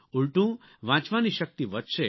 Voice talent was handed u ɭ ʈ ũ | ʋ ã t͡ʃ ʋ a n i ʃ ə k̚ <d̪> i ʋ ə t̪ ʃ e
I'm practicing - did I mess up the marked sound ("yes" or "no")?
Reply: yes